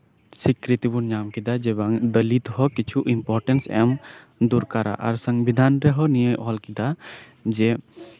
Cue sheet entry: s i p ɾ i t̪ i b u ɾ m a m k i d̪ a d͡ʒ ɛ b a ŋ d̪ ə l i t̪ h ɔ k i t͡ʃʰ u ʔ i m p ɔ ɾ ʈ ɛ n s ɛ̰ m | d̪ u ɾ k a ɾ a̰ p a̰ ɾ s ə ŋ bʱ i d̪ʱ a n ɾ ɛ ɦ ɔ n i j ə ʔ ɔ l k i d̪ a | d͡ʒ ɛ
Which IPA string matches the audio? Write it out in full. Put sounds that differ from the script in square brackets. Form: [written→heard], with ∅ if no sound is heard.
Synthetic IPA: s i [p→k] ɾ i t̪ i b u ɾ [m→ɲ] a m k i d̪ a d͡ʒ ɛ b a ŋ d̪ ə l i t̪ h ɔ k i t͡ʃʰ u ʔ i m p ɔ ɾ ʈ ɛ n s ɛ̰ m | d̪ u ɾ k a ɾ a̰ [p→ʔ] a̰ ɾ s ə ŋ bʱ i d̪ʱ a n ɾ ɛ ɦ ɔ n i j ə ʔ ɔ l k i d̪ a | d͡ʒ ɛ